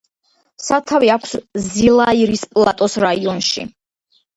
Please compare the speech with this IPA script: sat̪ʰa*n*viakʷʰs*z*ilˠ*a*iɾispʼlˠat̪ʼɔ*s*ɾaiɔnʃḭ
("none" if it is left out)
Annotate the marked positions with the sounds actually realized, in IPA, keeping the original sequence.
none, z, a, s

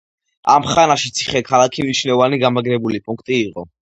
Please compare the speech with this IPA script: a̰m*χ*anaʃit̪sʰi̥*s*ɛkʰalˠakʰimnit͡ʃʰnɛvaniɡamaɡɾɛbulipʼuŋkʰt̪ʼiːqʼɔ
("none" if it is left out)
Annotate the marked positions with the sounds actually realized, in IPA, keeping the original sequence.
χ, χ

